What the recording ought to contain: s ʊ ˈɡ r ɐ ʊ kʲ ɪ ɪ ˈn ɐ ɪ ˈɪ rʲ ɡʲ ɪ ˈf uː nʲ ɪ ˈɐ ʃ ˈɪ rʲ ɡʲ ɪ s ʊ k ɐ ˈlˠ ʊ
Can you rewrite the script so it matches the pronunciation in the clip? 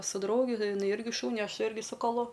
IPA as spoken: s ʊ ˈd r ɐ ʊ ɡʲ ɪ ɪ ˈn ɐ ɪ ˈɪ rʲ ɡʲ ɪ ˈʃ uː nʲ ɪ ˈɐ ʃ ˈɪ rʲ ɡʲ ɪ s ʊ k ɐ ˈlˠ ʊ